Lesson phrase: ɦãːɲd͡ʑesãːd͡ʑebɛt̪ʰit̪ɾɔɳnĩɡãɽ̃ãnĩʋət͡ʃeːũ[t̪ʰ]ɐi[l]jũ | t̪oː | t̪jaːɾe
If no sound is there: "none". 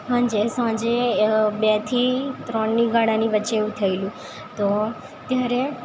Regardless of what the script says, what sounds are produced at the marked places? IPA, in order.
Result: t̪ʰ, l

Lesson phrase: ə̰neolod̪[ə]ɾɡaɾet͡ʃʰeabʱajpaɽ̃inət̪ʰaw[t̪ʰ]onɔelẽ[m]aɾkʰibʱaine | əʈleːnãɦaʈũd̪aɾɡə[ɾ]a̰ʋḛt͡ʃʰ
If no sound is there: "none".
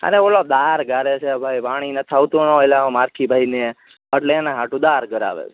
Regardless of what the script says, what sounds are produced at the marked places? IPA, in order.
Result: a, t̪, m, ɾ

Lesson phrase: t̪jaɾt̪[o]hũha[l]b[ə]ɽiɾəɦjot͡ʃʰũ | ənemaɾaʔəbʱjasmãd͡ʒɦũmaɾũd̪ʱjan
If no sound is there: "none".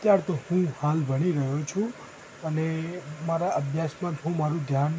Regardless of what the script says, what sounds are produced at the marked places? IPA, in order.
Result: o, l, ə

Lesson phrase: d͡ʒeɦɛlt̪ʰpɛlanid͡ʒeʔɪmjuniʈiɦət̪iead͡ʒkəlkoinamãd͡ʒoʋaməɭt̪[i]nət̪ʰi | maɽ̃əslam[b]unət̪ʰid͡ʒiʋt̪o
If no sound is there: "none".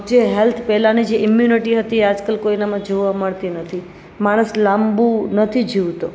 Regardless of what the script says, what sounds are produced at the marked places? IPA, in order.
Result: i, b

